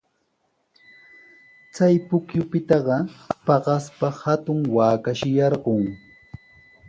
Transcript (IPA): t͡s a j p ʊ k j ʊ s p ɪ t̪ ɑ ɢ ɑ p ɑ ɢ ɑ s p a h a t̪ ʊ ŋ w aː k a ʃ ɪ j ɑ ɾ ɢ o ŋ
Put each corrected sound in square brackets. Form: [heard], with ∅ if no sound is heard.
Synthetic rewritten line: t͡s a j p ʊ k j ʊ [∅] p ɪ t̪ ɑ ɢ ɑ p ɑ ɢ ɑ s p a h a t̪ ʊ ŋ w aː k a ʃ ɪ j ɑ ɾ ɢ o ŋ